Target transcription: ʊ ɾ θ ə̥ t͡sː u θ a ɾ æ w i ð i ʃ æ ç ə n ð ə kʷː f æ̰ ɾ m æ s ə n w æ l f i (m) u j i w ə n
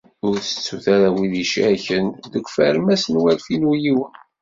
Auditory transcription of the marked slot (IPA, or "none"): n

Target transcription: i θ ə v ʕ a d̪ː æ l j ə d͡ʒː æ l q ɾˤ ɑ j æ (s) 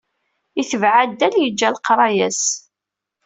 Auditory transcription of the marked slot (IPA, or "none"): s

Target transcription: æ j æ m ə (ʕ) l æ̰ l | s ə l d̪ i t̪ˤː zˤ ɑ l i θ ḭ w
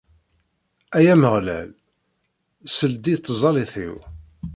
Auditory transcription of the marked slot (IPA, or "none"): ʁ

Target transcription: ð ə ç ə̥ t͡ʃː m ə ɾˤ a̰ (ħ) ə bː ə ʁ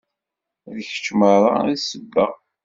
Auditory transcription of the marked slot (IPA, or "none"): s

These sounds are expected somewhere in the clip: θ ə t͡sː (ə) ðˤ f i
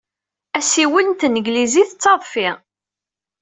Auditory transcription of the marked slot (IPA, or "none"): ɑ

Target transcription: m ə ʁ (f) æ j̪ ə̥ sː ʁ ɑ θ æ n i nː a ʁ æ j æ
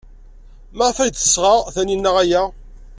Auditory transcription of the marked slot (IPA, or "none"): f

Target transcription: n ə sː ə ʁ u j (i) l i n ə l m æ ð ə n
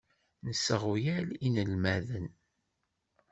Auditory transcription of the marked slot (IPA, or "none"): æ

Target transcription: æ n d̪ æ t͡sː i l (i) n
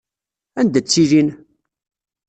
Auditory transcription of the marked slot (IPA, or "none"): i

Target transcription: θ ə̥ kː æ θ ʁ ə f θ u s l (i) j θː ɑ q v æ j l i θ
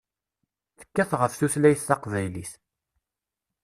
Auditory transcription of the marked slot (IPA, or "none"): æ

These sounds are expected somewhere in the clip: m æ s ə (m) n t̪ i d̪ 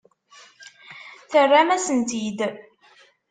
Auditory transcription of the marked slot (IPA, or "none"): none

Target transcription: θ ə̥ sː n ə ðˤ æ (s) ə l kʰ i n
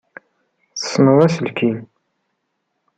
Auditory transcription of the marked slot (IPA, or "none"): s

